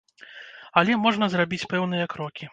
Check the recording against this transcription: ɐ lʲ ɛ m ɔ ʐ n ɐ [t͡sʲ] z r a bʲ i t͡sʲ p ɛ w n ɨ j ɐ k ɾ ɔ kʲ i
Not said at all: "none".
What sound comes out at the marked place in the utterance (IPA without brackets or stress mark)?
none